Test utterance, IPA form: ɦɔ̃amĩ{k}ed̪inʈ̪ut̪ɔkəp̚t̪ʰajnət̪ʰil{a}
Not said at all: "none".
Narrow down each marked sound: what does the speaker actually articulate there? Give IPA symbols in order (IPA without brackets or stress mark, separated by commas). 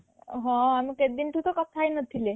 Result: k, e